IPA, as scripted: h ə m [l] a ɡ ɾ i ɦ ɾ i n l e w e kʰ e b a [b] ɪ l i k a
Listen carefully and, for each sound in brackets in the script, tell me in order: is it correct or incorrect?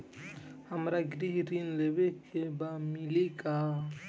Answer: incorrect, incorrect

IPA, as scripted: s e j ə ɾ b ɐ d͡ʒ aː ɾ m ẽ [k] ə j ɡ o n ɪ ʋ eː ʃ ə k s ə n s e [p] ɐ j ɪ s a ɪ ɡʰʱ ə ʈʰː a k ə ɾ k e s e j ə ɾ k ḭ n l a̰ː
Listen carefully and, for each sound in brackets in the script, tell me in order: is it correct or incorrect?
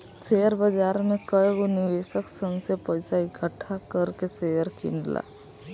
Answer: correct, correct

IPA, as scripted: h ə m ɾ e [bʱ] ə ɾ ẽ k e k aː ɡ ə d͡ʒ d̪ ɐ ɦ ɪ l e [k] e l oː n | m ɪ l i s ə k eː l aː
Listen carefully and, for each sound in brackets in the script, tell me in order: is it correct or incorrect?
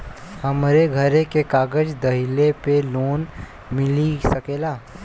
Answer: incorrect, incorrect

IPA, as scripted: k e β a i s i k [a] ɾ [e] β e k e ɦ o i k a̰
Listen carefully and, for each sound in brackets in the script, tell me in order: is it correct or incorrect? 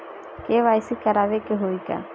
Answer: correct, incorrect

